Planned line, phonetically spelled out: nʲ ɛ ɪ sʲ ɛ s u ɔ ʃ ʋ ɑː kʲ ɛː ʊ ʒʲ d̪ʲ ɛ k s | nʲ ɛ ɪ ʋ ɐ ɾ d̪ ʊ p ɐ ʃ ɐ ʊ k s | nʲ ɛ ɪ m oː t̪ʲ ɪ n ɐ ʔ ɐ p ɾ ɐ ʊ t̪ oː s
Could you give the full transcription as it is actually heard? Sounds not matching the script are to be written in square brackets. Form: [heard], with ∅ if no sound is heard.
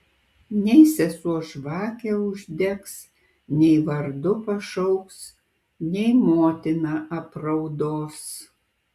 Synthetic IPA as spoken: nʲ ɛ ɪ sʲ ɛ s u ɔ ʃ ʋ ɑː kʲ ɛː ʊ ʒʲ d̪ʲ ɛ k s | nʲ ɛ ɪ ʋ ɐ ɾ d̪ ʊ p ɐ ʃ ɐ ʊ k s | nʲ ɛ ɪ m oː t̪ʲ ɪ n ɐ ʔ ɐ p ɾ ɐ ʊ [d̪] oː s